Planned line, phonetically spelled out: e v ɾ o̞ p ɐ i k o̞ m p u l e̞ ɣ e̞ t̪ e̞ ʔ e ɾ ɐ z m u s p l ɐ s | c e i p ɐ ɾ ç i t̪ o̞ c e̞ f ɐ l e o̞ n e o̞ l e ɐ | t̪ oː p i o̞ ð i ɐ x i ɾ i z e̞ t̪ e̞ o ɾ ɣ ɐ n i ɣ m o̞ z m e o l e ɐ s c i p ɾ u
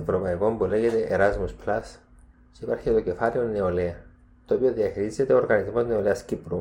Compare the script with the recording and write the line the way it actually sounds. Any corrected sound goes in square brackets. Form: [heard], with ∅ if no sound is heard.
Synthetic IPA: e v ɾ o̞ p ɐ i k o̞ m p u l e̞ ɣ e̞ t̪ e̞ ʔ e ɾ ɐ z m u s p l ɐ s | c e i p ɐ ɾ ç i t̪ o̞ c e̞ f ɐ l e o̞ n e o̞ l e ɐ | t̪ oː p i o̞ ð i ɐ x i ɾ i z e̞ t̪ e̞ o ɾ ɣ ɐ n i [z] m o̞ z [n] e o l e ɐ s c i p ɾ u